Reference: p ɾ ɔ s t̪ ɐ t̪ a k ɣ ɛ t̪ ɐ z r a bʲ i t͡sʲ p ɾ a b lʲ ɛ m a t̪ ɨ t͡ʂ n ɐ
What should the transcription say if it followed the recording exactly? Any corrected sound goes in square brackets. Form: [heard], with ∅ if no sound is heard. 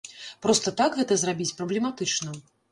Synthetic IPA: p ɾ ɔ s t̪ ɐ t̪ a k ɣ ɛ t̪ ɐ z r a bʲ i t͡sʲ p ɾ [ɐ] b lʲ ɛ m a t̪ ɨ t͡ʂ n ɐ

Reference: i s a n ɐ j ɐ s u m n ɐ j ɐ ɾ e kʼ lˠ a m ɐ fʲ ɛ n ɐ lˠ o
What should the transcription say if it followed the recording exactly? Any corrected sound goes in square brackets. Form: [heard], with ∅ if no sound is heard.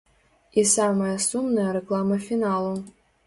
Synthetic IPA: i s a [m] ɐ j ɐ s u m n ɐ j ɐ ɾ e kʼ lˠ a m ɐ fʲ [i] n [a] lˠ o

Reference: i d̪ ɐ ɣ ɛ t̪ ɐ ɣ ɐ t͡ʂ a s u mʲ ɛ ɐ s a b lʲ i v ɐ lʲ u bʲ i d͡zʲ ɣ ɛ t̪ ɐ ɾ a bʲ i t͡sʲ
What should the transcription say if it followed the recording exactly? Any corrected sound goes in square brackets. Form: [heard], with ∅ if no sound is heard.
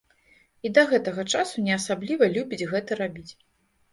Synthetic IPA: i d̪ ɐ ɣ ɛ t̪ ɐ ɣ ɐ t͡ʂ a s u [nʲ] ɛ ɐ s a b lʲ i v ɐ lʲ u bʲ i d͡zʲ ɣ ɛ t̪ ɐ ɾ a bʲ i t͡sʲ

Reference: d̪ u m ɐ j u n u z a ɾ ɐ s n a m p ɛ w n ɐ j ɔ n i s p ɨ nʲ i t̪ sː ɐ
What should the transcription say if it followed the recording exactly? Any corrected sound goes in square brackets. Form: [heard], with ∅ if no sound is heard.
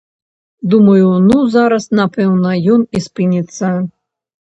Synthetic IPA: d̪ u m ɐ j u n u z a ɾ ɐ s n a [∅] p ɛ w n ɐ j ɔ n i s p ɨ nʲ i t̪ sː ɐ

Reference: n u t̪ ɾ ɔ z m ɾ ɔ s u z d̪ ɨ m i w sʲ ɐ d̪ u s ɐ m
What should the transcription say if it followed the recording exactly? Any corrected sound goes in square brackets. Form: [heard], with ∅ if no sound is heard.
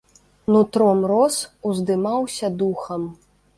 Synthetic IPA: n u t̪ ɾ ɔ [∅] m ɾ ɔ s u z d̪ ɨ m [a] w sʲ ɐ d̪ u [x] ɐ m

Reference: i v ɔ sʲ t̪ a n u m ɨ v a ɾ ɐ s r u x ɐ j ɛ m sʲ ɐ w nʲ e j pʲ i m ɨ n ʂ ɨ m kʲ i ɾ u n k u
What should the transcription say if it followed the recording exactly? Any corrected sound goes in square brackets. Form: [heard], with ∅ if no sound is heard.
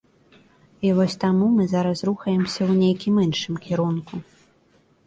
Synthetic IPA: i v ɔ sʲ t̪ a [m] u m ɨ [z] a ɾ ɐ s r u x ɐ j ɛ m sʲ ɐ w nʲ e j [kʲ] i m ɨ n ʂ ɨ m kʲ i ɾ u n k u

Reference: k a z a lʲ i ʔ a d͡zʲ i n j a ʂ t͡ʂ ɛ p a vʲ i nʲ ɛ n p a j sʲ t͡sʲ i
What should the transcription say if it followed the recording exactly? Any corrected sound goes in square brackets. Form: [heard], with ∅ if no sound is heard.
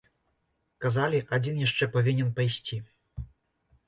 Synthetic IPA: k a z a lʲ i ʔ a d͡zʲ i n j a ʂ t͡ʂ ɛ p a vʲ i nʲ ɛ n p a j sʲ t͡sʲ i

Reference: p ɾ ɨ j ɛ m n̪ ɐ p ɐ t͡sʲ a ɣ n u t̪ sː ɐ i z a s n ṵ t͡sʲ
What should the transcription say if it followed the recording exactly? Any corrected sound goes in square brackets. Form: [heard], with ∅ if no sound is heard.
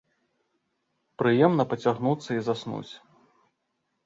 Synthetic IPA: p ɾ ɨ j ɛ m n̪ ɐ p ɐ t͡sʲ a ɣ n u t̪ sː ɐ i z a s n ṵ t͡sʲ

